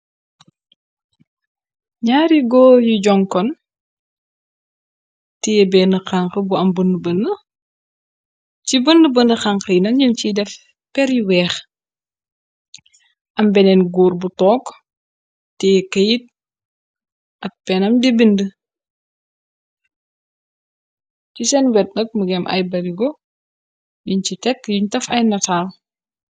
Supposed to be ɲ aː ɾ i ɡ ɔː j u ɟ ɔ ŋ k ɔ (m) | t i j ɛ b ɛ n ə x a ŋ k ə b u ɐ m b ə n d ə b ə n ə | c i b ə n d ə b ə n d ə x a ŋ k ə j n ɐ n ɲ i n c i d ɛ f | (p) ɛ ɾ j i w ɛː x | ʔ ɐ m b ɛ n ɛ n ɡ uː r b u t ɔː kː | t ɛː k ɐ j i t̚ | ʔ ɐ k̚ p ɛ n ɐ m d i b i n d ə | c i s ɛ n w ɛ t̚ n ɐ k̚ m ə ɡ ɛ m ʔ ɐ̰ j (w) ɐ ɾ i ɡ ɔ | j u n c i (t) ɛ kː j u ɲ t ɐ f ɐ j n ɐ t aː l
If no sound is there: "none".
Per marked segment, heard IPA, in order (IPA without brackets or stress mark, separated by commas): n, p, b, t